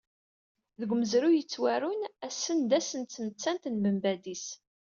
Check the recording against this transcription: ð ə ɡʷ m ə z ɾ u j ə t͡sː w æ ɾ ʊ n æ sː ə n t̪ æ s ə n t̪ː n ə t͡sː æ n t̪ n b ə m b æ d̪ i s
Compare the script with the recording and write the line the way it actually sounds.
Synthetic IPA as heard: ð ə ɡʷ m ə z ɾ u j ə t͡sː w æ ɾ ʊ n æ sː ə n d̪ æ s ə n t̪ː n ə t͡sː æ n t̪ n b ə m b æ d̪ i s